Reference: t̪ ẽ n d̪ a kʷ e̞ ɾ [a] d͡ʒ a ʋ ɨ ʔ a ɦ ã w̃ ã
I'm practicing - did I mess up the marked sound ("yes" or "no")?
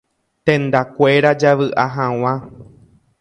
no